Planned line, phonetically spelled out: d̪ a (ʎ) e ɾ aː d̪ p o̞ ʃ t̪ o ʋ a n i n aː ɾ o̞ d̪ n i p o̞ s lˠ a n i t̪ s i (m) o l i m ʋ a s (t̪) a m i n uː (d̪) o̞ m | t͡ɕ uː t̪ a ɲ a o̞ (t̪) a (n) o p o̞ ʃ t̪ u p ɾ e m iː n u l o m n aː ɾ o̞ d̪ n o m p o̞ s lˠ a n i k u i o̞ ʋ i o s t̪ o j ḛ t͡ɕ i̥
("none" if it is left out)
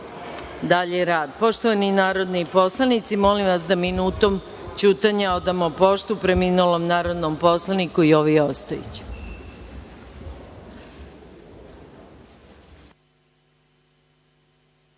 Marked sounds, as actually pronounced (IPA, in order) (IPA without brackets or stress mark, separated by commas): ʎ, m, d̪, t̪, d̪, m